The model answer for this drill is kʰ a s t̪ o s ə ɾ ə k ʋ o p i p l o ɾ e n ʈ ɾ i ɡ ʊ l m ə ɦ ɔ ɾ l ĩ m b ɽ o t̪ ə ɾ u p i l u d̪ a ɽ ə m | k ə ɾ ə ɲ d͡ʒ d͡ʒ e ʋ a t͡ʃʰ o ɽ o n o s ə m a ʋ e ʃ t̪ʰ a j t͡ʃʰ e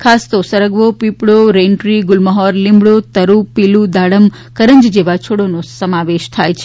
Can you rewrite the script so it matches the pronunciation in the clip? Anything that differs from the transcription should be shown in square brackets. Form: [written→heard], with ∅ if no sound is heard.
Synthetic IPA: kʰ a s t̪ o s ə ɾ ə [k→ɡ] ʋ o p i p [l→ɽ] o ɾ e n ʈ ɾ i ɡ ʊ l m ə ɦ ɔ ɾ l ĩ m b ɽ o t̪ ə ɾ u p i l u d̪ a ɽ ə m | k ə ɾ ə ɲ d͡ʒ d͡ʒ e ʋ a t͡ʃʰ o ɽ o n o s ə m a ʋ e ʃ t̪ʰ a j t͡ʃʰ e

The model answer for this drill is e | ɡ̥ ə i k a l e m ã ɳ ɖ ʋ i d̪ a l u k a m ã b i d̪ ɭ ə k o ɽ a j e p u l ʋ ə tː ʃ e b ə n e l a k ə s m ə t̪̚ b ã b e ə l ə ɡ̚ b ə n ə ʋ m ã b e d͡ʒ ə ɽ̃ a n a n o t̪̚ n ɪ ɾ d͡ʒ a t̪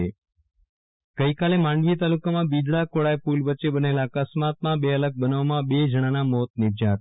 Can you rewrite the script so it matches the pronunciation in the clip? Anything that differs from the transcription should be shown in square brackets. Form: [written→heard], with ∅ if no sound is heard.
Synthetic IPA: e | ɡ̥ ə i k a l e m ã ɳ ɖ ʋ i [d̪→t̪] a l u k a m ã b i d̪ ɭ [ə→a] k o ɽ a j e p u l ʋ ə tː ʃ e b ə n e l a k ə s m [ə→a] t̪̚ [b→m] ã b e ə l ə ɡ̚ b ə n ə ʋ m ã b e d͡ʒ ə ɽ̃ a n a [n→m] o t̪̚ n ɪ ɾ d͡ʒ a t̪

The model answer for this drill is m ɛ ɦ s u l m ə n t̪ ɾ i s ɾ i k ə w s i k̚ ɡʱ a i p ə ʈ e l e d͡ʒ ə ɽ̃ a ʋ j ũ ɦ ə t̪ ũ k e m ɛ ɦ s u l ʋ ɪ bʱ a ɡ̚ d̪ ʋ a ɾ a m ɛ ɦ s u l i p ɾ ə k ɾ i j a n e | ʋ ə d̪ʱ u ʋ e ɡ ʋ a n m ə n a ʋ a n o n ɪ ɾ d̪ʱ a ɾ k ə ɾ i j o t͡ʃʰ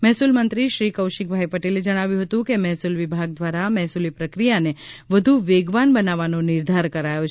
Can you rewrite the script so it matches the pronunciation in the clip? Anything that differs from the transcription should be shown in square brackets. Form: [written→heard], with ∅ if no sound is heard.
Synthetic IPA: m ɛ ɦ s u l m ə n t̪ ɾ i [s→ʃ] ɾ i k ə w [s→ʃ] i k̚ [ɡʱ→bʱ] a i p ə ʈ e l e d͡ʒ ə ɽ̃ a ʋ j ũ ɦ ə t̪ ũ k e m ɛ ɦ s u l ʋ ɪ bʱ a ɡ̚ d̪ ʋ a ɾ a m ɛ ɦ s u l i p ɾ ə k ɾ i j a n e | ʋ ə d̪ʱ u ʋ e ɡ ʋ a n [m→b] ə n a ʋ a n o n ɪ ɾ d̪ʱ a ɾ k ə ɾ [i→a] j o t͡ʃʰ

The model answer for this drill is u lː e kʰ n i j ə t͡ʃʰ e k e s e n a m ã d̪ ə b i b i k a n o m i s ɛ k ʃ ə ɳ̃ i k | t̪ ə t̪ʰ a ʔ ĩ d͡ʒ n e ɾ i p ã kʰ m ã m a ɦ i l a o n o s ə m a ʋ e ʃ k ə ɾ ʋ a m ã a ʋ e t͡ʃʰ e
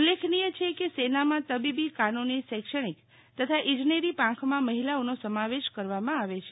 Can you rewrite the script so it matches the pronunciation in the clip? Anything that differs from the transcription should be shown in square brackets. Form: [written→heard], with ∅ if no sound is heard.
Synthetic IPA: u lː e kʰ n i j ə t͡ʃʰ e k e s e n a m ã [d̪→t̪] ə b i b i k a n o [m→n] i s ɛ k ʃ ə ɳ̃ i k | t̪ ə t̪ʰ a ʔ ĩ d͡ʒ n e ɾ i p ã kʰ m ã m [a→ə] ɦ i l a o n o s ə m a ʋ e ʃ k ə ɾ ʋ a m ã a ʋ e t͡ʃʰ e

